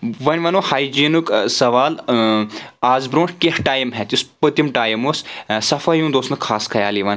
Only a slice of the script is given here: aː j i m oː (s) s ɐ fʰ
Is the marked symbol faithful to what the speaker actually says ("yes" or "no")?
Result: yes